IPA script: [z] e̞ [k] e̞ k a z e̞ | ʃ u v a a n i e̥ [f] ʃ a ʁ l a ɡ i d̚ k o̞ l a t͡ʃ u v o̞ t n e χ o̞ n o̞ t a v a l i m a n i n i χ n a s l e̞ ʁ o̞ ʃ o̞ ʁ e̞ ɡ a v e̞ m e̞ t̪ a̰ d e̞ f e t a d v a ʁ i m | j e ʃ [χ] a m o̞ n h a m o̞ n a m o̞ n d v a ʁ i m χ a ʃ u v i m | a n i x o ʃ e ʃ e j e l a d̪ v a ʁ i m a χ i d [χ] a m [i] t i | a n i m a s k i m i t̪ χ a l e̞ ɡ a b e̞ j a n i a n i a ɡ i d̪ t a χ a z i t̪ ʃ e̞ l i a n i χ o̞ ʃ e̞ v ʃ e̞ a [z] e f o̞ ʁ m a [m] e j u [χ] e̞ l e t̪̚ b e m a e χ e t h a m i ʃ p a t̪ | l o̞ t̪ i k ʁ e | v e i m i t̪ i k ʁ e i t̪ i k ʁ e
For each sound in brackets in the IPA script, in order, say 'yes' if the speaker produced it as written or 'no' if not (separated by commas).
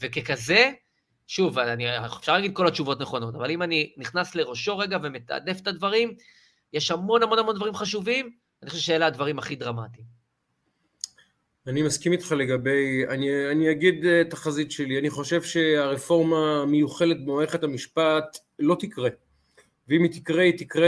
no, yes, yes, no, no, no, no, yes, yes